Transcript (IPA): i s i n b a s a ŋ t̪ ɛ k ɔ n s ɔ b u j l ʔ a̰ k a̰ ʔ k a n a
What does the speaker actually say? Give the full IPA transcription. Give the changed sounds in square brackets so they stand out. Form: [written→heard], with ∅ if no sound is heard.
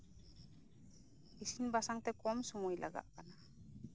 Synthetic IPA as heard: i s i n b a s a ŋ t̪ ɛ k ɔ [n→m] s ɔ [b→m] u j l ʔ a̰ [k→ɡ] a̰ ʔ k a n a